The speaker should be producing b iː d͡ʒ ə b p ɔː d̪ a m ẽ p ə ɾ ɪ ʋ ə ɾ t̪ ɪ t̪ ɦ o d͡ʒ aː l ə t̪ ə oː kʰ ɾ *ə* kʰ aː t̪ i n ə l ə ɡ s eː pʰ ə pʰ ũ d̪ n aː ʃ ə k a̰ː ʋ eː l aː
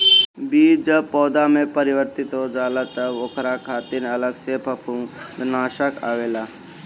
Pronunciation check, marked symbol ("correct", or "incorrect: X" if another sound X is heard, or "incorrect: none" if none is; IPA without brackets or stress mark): incorrect: a